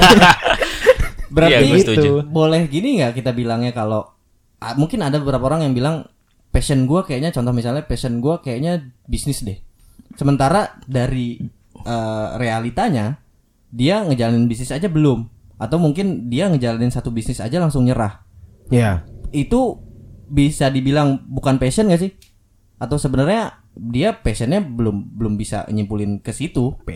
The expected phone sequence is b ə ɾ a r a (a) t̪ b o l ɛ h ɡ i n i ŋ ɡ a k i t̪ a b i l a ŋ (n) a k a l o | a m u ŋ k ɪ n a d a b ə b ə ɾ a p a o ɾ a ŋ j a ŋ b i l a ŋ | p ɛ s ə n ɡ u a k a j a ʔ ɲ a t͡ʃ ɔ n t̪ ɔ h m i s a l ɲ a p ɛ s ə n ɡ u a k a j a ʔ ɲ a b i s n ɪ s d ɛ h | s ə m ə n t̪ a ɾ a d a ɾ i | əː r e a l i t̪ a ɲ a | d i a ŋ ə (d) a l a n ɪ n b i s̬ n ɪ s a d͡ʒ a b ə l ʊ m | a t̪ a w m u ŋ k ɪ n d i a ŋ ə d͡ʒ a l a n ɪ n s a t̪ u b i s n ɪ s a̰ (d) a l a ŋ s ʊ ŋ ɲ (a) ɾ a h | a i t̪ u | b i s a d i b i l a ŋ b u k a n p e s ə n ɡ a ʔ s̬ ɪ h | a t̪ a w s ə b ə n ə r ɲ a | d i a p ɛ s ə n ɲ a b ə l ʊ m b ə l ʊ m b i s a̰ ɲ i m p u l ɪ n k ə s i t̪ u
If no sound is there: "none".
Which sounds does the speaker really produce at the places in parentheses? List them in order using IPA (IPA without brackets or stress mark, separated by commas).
i, ɲ, d͡ʒ, d͡ʒ, ə